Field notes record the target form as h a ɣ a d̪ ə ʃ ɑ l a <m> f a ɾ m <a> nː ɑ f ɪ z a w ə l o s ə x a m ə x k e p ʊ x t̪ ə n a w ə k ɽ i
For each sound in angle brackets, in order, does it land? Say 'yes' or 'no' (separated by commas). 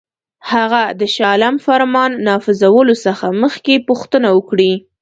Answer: yes, no